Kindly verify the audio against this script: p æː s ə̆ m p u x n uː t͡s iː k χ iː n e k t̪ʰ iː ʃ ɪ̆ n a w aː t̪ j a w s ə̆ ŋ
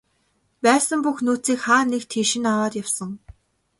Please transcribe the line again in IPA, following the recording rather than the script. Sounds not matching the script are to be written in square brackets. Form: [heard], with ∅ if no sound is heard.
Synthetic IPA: p æː s ə̆ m p u x n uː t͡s iː k χ [aː] n e k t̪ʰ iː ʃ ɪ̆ n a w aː t̪ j a w s ə̆ ŋ